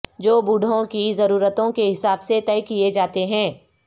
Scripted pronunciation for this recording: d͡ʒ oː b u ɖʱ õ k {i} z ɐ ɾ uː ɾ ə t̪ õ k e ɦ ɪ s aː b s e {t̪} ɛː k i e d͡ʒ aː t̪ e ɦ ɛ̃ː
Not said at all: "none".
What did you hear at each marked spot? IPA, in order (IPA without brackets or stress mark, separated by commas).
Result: i, t̪